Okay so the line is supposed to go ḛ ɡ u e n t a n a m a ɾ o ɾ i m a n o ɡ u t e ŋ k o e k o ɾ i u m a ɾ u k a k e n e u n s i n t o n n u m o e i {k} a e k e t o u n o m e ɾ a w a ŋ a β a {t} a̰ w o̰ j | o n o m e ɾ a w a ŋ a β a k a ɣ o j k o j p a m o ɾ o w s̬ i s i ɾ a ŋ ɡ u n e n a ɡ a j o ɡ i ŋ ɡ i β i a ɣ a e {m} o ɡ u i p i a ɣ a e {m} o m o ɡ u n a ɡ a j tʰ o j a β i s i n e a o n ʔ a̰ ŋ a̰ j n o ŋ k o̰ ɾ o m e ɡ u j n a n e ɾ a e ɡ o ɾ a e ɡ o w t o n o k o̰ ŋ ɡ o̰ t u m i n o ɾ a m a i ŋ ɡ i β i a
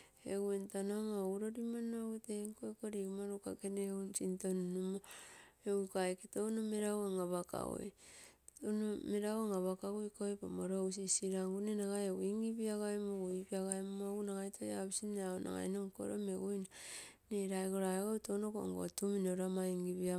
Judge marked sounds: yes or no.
yes, no, yes, yes

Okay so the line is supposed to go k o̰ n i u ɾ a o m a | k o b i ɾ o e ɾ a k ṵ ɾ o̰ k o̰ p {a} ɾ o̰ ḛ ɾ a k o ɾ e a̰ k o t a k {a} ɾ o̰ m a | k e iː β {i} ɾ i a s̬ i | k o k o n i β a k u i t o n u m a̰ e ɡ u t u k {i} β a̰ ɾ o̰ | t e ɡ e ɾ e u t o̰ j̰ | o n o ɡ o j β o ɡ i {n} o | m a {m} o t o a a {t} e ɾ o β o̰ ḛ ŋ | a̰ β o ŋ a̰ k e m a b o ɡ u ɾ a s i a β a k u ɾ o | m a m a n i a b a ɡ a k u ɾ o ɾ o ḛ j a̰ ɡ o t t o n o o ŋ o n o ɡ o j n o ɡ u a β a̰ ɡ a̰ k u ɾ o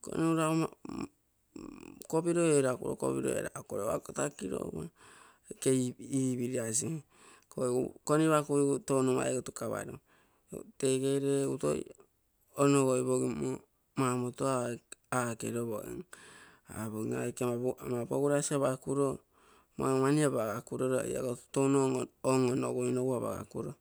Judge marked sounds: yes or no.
no, no, yes, no, no, yes, no

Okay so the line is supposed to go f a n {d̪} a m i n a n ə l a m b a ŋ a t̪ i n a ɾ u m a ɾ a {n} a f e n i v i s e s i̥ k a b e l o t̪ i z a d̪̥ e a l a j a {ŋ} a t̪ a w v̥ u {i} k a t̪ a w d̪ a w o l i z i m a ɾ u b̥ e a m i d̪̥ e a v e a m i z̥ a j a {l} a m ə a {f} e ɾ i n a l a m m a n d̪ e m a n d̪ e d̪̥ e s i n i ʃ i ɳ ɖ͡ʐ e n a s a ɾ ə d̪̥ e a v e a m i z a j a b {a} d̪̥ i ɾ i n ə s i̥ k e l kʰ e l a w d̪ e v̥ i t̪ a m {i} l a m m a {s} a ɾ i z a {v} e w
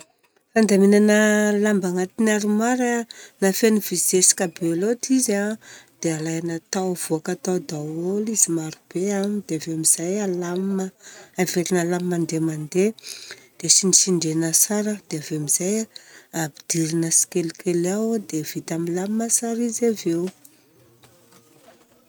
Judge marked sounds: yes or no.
yes, yes, no, no, yes, no, no, yes, yes, yes

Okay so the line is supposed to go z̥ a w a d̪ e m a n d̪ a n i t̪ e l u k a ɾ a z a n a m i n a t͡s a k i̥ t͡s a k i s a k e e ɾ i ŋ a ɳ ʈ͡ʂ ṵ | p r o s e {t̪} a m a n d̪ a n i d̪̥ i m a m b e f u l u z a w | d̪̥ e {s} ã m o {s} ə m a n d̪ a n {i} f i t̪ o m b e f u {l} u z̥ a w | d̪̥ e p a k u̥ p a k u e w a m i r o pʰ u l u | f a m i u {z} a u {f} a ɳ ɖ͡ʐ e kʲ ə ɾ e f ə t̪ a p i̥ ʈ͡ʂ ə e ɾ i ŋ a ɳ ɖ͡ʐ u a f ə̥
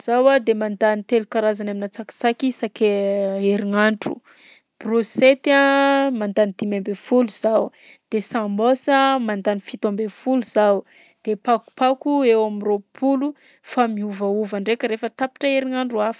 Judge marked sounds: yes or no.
yes, yes, yes, yes, yes, no, no

